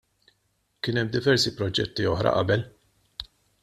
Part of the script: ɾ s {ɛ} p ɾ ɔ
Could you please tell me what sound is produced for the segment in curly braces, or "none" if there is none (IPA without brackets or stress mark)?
i